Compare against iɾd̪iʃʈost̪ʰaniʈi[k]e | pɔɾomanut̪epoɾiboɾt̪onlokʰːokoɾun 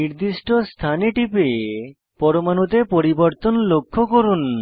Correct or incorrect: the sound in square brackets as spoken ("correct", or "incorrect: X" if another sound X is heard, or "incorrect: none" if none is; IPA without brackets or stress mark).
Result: incorrect: p